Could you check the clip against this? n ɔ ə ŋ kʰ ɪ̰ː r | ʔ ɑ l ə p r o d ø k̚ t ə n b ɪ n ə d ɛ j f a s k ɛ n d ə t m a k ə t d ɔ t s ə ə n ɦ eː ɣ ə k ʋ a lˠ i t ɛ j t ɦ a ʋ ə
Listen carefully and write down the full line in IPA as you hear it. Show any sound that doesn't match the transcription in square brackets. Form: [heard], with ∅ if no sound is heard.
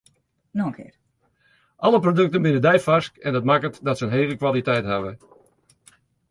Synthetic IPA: n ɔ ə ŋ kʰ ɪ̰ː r | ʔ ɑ l ə p r o d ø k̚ t ə n b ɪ n ə d ɛ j f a s k ɛ n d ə t m a k ə t d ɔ t s ə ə n ɦ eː ɣ ə k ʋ a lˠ i t ɛ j t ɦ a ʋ ə